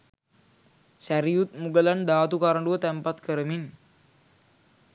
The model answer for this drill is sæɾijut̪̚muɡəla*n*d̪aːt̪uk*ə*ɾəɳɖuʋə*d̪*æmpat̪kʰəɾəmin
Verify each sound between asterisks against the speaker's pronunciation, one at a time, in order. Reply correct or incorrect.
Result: correct, incorrect: a, incorrect: t̪

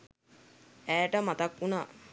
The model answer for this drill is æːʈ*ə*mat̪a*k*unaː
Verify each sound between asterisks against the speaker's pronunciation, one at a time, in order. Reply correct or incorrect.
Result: correct, correct

